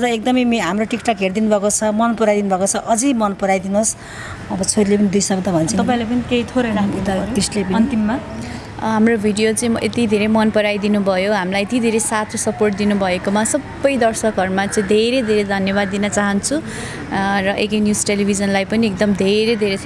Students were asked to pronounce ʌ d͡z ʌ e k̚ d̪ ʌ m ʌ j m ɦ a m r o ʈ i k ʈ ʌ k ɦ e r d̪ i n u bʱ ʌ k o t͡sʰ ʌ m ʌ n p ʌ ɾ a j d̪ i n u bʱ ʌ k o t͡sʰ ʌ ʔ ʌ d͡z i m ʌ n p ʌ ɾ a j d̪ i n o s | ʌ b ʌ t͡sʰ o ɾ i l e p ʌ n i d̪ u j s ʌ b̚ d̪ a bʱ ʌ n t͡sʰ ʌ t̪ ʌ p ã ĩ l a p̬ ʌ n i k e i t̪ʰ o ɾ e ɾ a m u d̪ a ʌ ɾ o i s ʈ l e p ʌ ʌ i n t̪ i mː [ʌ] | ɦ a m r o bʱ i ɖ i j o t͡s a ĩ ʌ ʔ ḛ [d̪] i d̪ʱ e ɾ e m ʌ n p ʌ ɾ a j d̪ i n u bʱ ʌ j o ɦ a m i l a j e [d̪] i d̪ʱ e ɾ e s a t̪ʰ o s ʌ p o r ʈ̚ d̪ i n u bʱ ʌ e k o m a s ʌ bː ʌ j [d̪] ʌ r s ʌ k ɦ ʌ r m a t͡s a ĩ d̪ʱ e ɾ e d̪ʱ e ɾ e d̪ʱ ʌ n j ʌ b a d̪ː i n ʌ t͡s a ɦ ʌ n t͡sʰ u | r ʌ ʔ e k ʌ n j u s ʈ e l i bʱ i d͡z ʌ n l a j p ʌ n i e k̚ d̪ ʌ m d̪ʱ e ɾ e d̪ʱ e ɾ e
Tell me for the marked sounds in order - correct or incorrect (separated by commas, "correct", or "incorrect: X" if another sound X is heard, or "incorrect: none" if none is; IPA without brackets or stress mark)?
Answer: incorrect: a, incorrect: t̪, incorrect: t̪, correct